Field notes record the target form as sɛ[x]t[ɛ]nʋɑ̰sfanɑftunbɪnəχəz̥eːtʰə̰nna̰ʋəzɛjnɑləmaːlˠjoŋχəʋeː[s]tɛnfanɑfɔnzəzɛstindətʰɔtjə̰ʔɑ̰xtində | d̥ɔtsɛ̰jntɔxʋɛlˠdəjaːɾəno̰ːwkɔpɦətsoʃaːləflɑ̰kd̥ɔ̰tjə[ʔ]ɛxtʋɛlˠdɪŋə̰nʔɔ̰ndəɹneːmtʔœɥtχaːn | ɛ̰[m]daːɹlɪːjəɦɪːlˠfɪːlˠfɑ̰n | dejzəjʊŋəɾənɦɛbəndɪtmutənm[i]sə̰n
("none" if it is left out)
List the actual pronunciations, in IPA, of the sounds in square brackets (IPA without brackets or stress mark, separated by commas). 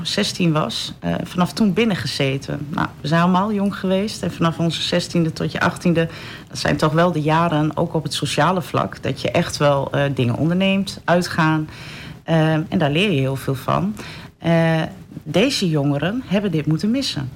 s, i, s, ʔ, n, ɪ